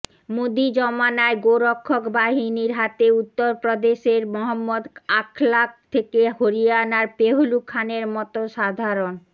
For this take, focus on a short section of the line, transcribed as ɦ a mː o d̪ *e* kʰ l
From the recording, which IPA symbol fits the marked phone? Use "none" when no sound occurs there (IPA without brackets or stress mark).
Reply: a